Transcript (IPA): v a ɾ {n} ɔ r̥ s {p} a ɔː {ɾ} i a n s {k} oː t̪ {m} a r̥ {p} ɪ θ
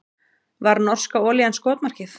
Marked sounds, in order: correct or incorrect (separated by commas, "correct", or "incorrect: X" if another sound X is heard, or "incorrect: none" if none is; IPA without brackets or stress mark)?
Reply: correct, incorrect: k, incorrect: l, correct, correct, incorrect: c